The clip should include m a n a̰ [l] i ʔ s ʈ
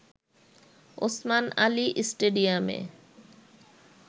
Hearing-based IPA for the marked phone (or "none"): l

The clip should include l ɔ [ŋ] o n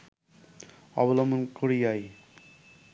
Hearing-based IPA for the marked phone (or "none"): m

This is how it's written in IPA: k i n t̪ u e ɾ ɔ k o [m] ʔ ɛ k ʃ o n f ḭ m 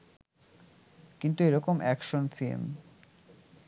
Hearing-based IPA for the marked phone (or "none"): m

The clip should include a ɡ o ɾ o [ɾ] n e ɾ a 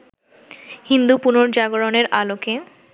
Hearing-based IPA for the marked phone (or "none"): none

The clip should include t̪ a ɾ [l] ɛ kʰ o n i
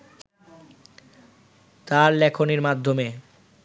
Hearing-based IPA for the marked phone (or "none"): l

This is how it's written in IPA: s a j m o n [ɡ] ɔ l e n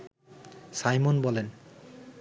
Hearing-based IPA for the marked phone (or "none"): b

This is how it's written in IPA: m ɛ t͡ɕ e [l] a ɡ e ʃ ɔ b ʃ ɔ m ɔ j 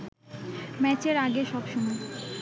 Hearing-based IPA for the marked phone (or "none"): ɾ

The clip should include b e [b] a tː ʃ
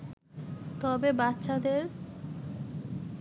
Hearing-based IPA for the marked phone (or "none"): b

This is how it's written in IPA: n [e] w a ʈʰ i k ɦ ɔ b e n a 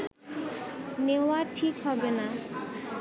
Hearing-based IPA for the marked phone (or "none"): e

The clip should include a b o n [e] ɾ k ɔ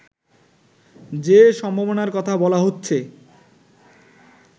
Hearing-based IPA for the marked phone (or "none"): a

